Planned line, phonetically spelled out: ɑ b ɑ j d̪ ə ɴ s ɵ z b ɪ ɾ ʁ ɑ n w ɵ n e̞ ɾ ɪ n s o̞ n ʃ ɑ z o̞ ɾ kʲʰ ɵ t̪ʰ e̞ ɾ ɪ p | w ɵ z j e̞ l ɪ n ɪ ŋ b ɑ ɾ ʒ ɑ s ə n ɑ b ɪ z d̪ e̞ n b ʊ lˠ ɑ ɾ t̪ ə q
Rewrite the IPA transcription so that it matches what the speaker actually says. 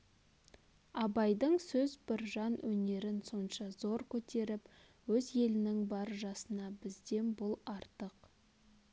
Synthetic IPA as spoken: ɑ b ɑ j d̪ ə ɴ s ɵ z b ɪ ɾ ʒ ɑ n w ɵ n e̞ ɾ ɪ n s o̞ n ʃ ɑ z o̞ ɾ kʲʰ ɵ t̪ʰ e̞ ɾ ɪ p | w ɵ z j e̞ l ɪ n ɪ ŋ b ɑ ɾ ʒ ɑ s ə n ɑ b ɪ z d̪ e̞ n b ʊ lˠ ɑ ɾ t̪ ə q